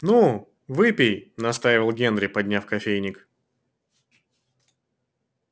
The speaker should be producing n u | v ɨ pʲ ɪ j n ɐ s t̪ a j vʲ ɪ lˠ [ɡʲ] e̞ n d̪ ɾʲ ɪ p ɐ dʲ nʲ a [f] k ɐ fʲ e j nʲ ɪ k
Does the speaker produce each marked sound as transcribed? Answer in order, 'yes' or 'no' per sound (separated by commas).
yes, yes